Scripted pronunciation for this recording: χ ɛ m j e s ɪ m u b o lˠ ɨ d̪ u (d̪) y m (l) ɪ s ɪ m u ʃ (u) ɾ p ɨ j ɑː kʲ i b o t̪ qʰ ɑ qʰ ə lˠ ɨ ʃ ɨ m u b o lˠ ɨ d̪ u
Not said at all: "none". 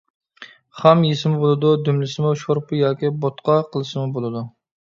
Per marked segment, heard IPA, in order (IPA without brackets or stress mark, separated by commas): d̪, l, o